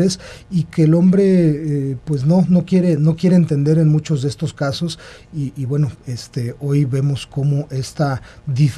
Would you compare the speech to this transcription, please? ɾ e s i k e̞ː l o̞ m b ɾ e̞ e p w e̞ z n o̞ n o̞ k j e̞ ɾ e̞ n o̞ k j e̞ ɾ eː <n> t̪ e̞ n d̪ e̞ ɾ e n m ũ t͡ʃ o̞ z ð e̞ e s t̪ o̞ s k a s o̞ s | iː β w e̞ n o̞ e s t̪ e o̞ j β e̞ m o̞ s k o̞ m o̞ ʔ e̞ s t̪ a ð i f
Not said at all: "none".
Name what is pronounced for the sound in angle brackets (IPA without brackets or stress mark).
n